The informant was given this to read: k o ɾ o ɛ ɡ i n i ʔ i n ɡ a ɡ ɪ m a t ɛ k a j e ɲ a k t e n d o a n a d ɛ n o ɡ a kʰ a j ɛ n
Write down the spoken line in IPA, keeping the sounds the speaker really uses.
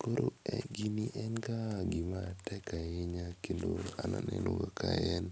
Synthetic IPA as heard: k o ɾ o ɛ ɡ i n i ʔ ɛ n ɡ a ɡ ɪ m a t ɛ k a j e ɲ a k k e n d o a n a n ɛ n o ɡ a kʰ a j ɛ n